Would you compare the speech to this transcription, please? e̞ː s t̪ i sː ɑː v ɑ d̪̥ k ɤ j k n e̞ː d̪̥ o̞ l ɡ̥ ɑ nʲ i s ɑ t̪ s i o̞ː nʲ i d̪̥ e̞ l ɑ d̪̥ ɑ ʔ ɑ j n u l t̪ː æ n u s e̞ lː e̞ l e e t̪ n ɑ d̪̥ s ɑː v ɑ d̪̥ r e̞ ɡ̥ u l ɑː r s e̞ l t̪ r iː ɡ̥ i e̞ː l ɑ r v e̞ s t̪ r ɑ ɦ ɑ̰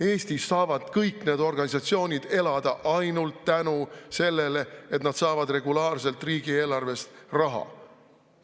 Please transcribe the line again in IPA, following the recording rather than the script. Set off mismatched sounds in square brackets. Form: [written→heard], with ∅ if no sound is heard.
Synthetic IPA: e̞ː s t̪ i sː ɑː v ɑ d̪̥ k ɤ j k n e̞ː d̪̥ o̞ [l→r] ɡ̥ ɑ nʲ i s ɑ t̪ s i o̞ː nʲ i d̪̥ e̞ l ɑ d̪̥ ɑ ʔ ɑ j n u l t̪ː æ n u s e̞ lː e̞ l e e t̪ n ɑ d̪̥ s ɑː v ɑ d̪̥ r e̞ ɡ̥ u l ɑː r s e̞ l t̪ r iː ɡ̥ i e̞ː l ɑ r v e̞ s t̪ r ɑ ɦ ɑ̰

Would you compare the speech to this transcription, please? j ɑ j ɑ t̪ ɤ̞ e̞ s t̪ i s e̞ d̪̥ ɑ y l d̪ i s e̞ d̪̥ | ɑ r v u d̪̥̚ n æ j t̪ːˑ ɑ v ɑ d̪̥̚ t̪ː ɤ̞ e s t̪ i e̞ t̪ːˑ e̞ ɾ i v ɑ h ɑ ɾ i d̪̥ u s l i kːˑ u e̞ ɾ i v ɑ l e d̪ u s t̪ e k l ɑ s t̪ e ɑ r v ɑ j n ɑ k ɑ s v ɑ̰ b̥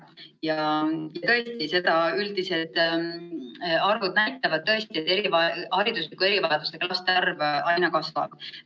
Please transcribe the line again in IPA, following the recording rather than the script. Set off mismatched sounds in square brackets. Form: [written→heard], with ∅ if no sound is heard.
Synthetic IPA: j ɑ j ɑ t̪ ɤ̞ e̞ s t̪ i s e̞ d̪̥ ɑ y l d̪ i s e̞ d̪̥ | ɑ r v u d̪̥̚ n æ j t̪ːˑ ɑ v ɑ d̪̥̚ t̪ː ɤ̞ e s t̪ i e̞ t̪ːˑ e̞ ɾ i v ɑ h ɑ ɾ i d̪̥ u s l i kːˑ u e̞ ɾ i v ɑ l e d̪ u s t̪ e k l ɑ s t̪ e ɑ r v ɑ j n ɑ k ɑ s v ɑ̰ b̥

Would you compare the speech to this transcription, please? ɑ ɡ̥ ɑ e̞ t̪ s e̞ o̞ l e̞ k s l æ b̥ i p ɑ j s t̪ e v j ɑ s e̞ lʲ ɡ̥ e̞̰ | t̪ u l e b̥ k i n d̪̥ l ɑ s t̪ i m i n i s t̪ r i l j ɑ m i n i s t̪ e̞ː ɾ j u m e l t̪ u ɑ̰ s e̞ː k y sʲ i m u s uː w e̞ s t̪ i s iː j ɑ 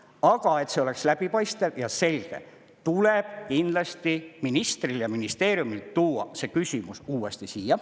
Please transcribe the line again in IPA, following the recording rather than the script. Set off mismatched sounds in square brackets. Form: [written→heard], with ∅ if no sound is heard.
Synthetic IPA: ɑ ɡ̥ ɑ e̞ t̪ s e̞ o̞ l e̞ k s l æ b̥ i p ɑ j s t̪ e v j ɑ s e̞ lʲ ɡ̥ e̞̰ | t̪ u l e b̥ k i n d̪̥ l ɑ s t̪ i m i n i s t̪ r i l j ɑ m i n i s t̪ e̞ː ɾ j u m [e→i] l t̪ [u→uː] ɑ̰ s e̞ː k y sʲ i m u s uː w e̞ s t̪ i s iː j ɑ

